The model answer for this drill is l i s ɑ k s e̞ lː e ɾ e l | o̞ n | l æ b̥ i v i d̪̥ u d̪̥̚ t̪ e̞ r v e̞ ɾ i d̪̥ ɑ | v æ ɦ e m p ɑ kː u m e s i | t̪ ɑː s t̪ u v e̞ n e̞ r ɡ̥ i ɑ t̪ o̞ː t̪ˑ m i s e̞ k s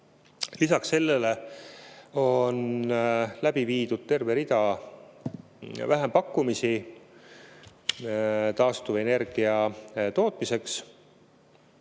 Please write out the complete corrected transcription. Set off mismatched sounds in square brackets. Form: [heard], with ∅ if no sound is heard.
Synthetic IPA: l i s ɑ k s e̞ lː e [l] e [∅] | o̞ n | l æ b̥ i v [iː] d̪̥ u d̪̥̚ t̪ e̞ r v e̞ ɾ i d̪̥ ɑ | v æ ɦ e m p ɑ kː u m [i] s i | t̪ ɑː s t̪ u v e̞ n e̞ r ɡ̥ i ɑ t̪ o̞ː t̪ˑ m i s e̞ k s

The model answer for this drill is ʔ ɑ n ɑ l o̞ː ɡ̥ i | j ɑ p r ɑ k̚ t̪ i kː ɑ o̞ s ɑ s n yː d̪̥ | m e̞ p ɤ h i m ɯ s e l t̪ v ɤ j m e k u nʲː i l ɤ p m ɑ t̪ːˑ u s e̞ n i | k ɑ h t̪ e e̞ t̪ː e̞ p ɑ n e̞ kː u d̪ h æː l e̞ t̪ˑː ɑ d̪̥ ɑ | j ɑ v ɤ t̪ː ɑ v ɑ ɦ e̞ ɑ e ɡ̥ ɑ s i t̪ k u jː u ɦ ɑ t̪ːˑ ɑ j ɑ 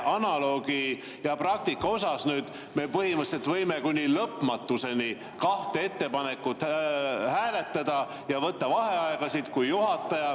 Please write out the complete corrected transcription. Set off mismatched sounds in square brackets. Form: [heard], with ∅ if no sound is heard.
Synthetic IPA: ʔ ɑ n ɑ l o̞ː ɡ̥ i | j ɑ p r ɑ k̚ t̪ i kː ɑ o̞ s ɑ s n yː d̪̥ | m e̞ p ɤ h i m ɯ s e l t̪ v ɤ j m e k u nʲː i l ɤ p m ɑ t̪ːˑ u s e̞ n i | k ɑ h t̪ e e̞ t̪ː e̞ p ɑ n e̞ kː u [t̪] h æː l e̞ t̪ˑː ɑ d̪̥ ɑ | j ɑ v ɤ t̪ː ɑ v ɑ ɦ e̞ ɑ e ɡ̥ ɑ s i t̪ k u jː u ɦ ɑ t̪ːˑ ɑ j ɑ

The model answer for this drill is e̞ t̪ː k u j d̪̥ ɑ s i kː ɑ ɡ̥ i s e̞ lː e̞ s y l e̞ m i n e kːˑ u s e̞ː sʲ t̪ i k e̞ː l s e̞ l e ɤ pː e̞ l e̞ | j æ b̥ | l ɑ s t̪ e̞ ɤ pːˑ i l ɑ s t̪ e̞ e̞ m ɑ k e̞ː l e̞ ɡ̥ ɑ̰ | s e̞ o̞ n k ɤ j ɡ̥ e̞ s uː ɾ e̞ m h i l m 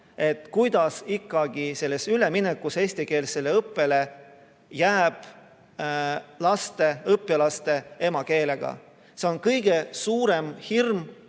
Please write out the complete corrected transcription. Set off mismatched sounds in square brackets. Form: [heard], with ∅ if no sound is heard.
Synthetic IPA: e̞ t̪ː k u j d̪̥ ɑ s i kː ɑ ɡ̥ i s e̞ lː e̞ s y l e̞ m i n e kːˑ u s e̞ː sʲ t̪ i k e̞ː l s e̞ l e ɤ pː e̞ l e̞ | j [æː] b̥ | l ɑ s t̪ e̞ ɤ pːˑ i l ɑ s t̪ e̞ e̞ m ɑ k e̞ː l e̞ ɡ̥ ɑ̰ | s e̞ o̞ n k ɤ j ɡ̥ e̞ s uː ɾ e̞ m h i [r] m

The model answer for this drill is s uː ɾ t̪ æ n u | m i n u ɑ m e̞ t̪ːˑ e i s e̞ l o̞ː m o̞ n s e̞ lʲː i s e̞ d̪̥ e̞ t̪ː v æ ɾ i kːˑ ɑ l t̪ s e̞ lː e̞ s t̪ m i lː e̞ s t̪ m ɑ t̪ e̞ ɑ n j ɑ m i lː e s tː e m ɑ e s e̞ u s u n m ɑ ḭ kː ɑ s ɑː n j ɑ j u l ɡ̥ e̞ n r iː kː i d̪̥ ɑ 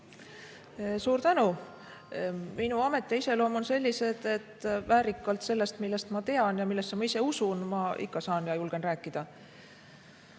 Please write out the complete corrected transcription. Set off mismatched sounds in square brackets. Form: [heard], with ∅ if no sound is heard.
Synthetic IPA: s uː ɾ t̪ æ n u | m i n u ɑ m e̞ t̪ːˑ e i s e̞ l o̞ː m o̞ n s e̞ lʲː i s e̞ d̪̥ e̞ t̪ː v [æː] ɾ i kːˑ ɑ l t̪ s e̞ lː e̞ s t̪ m i lː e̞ s t̪ m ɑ t̪ e̞ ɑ n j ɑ m i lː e s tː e m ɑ [i] s e̞ u s u n m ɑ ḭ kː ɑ s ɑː n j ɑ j u l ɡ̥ e̞ n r [æː] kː i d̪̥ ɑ

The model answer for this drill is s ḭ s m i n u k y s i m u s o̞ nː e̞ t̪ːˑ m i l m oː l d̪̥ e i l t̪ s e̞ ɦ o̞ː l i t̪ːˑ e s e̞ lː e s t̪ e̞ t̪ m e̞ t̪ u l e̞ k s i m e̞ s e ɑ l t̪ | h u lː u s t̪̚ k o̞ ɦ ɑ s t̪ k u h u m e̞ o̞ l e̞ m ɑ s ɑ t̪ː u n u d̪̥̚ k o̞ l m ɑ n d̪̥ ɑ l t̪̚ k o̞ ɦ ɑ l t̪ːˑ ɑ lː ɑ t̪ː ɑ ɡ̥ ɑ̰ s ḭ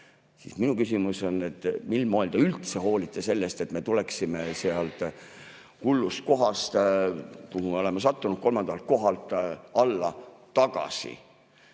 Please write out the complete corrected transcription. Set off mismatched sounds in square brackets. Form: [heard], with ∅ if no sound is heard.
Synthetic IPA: s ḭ s m i n u k y s i m u s o̞ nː e̞ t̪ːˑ m i l m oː l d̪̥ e [y] l t̪ s e̞ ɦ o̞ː l i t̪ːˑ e s e̞ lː e s t̪ e̞ t̪ m e̞ t̪ u l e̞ k s i m e̞ s e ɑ l t̪ | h u lː u s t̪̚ k o̞ ɦ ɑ s t̪ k u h u m e̞ o̞ l e̞ m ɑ s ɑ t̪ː u n u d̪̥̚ k o̞ l m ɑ n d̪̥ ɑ l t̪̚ k o̞ ɦ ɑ l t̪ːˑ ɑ lː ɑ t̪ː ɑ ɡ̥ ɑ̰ s ḭ

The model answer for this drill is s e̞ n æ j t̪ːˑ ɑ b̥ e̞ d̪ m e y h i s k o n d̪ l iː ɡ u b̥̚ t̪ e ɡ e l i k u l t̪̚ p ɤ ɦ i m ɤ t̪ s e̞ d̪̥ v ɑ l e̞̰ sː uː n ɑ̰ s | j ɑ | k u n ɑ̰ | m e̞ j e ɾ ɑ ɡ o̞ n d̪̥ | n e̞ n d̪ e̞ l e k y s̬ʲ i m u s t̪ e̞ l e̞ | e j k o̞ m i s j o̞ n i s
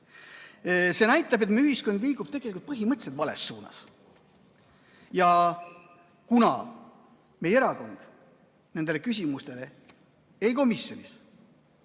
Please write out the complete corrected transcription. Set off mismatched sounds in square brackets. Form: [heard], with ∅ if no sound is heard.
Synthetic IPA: s e̞ n æ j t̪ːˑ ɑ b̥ e̞ [t̪] m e y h i s k o n d̪ l iː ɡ u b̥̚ t̪ e ɡ e l i k u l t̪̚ p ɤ ɦ i m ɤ t̪ s e̞ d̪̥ v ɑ l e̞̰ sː uː n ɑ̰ s | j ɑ | k u n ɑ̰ | m e̞ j e ɾ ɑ [k] o̞ n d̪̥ | n e̞ n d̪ e̞ l e k y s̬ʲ i m u s t̪ e̞ l e̞ | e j k o̞ m i s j o̞ n i s

